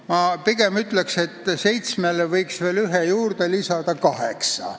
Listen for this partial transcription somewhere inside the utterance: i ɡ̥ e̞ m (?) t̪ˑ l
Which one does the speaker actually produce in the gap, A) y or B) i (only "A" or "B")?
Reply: A